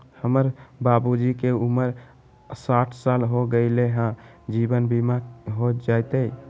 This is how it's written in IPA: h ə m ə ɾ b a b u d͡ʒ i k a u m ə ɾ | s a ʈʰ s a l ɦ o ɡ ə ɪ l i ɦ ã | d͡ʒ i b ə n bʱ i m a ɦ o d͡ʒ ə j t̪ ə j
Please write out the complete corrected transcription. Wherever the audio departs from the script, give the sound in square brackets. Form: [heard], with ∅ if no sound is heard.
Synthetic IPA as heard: h ə m ə ɾ b a b u d͡ʒ i k [e] u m ə ɾ | s a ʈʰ s a l ɦ o ɡ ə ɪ l [e] ɦ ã | d͡ʒ i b ə n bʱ i m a ɦ o d͡ʒ [a] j t̪ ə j